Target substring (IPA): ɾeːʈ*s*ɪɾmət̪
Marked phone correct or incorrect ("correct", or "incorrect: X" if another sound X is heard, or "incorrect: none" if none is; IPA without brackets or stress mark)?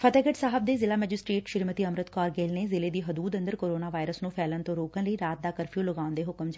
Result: incorrect: ʃ